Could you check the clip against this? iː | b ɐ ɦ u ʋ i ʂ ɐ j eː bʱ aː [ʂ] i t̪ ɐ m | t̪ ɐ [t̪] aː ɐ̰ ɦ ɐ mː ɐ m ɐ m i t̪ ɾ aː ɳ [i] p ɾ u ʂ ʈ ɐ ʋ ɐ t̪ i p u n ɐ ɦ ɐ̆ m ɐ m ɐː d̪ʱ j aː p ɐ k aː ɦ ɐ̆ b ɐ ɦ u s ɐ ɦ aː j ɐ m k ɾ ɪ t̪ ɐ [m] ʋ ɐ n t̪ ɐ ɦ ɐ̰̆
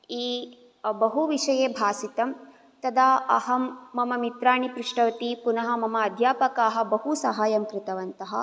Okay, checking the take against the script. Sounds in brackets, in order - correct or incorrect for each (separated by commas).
incorrect, incorrect, correct, incorrect